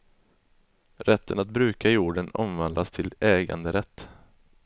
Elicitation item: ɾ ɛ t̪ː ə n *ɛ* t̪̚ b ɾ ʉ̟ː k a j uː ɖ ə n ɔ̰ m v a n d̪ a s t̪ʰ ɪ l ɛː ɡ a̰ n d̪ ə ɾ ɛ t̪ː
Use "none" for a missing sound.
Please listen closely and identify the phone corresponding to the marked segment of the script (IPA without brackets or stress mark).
a